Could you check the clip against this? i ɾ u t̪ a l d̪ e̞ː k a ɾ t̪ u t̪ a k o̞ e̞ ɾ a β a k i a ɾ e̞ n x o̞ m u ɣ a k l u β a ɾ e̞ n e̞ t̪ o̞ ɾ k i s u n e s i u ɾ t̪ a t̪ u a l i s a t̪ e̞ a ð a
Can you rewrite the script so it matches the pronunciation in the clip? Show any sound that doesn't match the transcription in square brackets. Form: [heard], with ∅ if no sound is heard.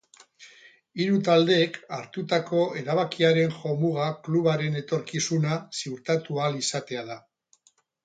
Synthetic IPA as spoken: i ɾ u t̪ a l d̪ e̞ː k a ɾ t̪ u t̪ a k o̞ e̞ ɾ a β a k i a ɾ e̞ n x o̞ m u ɣ a k l u β a ɾ e̞ n e̞ t̪ o̞ ɾ k i s u n [a] s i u ɾ t̪ a t̪ u a l i s a t̪ e̞ a ð a

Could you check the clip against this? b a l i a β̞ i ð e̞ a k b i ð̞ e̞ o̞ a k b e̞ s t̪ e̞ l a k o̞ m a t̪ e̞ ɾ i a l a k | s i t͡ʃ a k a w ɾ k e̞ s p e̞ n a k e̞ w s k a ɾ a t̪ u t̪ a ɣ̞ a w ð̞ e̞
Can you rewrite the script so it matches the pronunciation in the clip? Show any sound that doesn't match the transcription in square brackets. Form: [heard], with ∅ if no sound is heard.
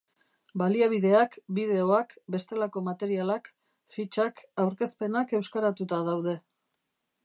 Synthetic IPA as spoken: b a l i a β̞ i ð e̞ a k b i ð̞ e̞ o̞ a k b e̞ s t̪ e̞ l a k o̞ m a t̪ e̞ ɾ i a l a k | [f] i t͡ʃ a k a w ɾ k e̞ s p e̞ n a k e̞ w s k a ɾ a t̪ u t̪ a [ð̞] a w ð̞ e̞

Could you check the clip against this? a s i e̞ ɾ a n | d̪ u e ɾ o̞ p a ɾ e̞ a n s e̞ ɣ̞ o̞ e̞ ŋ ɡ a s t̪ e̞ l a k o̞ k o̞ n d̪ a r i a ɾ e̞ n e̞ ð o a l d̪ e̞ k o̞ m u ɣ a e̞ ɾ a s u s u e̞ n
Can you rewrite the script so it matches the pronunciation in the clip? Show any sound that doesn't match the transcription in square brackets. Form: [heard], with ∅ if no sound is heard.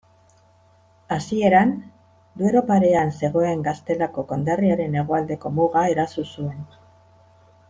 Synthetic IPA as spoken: a s i e̞ ɾ a n | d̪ u e ɾ o̞ p a ɾ e̞ a n s e̞ ɣ̞ o̞ e̞ ŋ ɡ a s t̪ e̞ l a k o̞ k o̞ n d̪ a r i a ɾ e̞ n e̞ [ɣ] o a l d̪ e̞ k o̞ m u ɣ a e̞ ɾ a s u s u e̞ n

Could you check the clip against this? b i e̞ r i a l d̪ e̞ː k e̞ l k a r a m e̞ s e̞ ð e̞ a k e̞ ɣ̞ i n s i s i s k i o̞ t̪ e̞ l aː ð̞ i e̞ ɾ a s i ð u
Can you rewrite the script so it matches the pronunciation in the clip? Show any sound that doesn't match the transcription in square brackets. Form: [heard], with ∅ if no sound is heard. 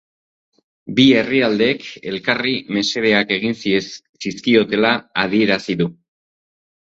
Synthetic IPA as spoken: b i e̞ r i a l d̪ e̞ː k e̞ l k a r [i] m e̞ s e̞ ð e̞ a k e̞ ɣ̞ i n s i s i s k i o̞ t̪ e̞ l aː ð̞ i e̞ ɾ a s i ð u

